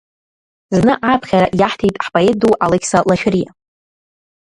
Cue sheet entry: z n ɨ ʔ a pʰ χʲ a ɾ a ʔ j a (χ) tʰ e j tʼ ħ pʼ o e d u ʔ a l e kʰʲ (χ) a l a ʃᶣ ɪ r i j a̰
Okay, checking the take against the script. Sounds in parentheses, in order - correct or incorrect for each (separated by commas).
incorrect, incorrect